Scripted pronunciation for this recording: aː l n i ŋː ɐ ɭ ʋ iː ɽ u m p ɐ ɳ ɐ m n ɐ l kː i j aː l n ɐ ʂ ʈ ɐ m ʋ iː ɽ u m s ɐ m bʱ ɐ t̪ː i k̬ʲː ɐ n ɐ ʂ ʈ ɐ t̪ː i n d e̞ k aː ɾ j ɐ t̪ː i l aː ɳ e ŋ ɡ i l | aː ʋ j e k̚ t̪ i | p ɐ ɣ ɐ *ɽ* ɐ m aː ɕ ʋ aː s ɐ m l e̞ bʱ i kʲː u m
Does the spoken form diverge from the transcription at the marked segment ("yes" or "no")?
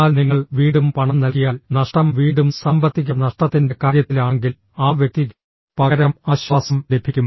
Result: yes